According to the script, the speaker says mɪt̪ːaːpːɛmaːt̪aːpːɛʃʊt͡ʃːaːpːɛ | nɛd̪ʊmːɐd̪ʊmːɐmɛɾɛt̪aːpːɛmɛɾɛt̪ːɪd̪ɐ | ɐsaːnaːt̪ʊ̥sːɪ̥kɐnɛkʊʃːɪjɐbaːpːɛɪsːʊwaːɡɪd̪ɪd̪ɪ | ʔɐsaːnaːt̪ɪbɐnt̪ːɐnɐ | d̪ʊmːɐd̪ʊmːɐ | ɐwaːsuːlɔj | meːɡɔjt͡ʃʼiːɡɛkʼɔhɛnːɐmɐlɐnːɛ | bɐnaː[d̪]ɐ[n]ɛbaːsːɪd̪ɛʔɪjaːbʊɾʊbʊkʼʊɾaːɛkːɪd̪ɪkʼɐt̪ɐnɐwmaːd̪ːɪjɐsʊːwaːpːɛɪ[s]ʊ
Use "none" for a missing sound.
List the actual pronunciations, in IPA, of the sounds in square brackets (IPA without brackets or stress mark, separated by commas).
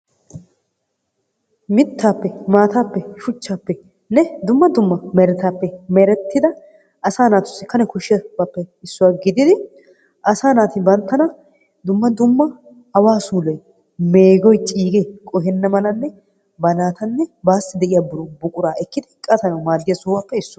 t̪, nː, sː